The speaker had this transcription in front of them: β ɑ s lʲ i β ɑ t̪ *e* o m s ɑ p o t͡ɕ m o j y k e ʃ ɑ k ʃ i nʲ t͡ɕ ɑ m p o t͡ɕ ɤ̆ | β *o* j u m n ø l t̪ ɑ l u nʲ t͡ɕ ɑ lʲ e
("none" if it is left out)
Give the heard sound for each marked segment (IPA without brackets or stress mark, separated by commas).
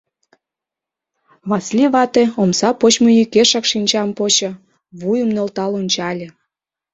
e, u